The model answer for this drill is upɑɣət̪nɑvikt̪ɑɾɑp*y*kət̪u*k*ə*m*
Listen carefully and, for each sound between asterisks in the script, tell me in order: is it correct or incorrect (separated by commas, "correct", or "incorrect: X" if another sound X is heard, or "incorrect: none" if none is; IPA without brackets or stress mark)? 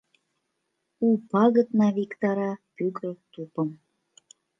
correct, incorrect: p, correct